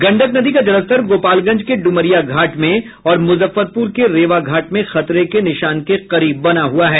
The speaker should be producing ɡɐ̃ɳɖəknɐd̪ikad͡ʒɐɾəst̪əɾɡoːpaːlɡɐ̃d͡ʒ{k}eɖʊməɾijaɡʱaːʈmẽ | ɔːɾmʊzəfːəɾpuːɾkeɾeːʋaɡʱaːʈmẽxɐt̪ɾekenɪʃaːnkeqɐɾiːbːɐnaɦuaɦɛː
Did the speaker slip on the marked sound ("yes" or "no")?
no